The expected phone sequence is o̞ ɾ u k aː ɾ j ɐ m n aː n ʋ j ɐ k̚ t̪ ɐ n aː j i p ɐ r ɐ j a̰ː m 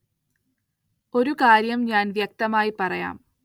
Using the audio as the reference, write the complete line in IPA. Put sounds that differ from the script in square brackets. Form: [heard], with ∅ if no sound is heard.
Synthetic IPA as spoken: o̞ ɾ u k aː ɾ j ɐ m [ɲ] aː n ʋ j ɐ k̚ t̪ ɐ [m] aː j i p ɐ r ɐ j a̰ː m